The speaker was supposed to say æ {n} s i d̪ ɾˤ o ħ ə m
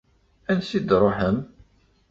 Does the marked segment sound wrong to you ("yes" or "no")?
no